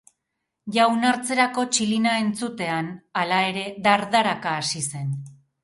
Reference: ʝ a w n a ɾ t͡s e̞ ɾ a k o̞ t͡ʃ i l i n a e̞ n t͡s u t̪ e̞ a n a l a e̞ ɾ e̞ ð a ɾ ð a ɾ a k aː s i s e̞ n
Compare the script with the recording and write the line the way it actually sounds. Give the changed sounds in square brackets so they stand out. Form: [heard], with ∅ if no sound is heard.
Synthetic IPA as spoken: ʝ a w n a ɾ t͡s e̞ ɾ a k o̞ t͡ʃ i l i n a e̞ n t͡s u t̪ e̞ a n a l a e̞ ɾ e̞ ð a ɾ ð a ɾ a k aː s i s e̞ n